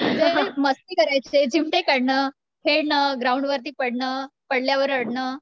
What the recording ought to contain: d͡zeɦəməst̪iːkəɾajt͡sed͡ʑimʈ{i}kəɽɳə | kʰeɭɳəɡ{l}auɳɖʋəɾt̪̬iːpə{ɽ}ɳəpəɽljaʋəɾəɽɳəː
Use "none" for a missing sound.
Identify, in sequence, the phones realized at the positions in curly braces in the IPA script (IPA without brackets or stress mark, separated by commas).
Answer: e, ɾ, ɽ